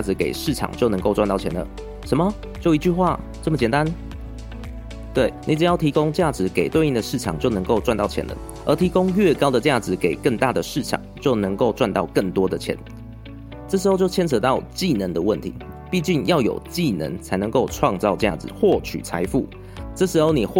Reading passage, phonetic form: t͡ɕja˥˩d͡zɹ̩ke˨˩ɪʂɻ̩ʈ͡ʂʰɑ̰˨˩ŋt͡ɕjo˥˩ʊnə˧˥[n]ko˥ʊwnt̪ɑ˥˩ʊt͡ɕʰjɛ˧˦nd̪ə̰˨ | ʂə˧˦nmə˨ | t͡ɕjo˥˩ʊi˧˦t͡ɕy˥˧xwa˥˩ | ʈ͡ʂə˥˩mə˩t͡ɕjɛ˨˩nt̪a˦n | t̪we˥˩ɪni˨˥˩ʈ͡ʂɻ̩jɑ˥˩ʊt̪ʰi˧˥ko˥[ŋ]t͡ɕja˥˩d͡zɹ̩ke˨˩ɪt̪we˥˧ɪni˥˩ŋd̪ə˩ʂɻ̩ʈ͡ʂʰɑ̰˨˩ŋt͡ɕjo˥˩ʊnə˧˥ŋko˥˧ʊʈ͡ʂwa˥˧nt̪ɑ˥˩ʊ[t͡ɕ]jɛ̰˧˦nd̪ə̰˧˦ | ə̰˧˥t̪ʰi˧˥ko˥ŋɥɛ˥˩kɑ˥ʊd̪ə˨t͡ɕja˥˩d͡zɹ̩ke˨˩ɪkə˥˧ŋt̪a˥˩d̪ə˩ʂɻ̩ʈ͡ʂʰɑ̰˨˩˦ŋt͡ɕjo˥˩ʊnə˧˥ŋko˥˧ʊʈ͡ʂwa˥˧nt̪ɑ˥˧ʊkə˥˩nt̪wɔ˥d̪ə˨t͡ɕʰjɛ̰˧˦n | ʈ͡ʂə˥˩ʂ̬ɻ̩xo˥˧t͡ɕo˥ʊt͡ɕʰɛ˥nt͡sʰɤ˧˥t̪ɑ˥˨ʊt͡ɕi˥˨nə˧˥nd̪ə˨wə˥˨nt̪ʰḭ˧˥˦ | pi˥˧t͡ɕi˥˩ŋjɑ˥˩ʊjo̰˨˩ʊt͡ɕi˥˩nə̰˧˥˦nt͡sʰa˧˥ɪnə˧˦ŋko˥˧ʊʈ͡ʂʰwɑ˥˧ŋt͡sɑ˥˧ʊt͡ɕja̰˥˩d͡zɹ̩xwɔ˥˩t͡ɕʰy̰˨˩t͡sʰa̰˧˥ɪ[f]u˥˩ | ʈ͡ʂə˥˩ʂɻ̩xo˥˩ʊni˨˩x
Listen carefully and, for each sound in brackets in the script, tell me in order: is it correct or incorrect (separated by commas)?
incorrect, correct, incorrect, correct